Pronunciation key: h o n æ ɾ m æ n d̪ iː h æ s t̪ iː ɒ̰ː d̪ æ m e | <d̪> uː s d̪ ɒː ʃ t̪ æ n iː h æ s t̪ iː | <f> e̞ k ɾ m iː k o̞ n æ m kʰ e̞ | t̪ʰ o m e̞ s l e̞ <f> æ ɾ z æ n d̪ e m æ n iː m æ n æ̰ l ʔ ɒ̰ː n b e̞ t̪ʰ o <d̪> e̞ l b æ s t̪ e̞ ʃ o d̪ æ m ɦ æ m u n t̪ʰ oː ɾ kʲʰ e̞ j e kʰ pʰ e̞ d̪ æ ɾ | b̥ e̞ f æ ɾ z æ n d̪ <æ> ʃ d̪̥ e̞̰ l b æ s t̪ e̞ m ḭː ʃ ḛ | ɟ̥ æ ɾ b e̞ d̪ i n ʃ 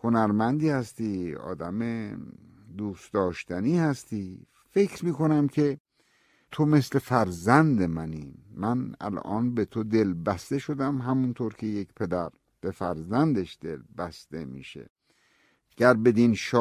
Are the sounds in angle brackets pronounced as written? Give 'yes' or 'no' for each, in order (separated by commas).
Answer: yes, yes, yes, yes, no